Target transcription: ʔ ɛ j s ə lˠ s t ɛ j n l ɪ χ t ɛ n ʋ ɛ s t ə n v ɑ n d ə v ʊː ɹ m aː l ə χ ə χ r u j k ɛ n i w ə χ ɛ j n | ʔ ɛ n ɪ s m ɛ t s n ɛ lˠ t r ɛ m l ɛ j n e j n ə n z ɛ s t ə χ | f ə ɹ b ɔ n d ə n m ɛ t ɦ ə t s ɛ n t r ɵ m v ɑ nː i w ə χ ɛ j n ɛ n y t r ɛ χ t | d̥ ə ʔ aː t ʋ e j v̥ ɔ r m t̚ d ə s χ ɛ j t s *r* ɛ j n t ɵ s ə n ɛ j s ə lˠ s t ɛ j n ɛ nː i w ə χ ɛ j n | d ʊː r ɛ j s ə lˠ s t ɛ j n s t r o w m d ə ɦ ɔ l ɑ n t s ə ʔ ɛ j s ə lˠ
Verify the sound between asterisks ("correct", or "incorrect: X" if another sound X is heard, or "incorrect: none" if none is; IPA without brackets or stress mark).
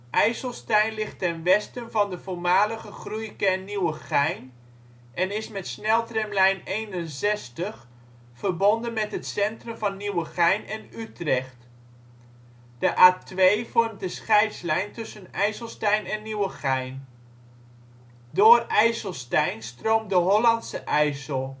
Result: incorrect: l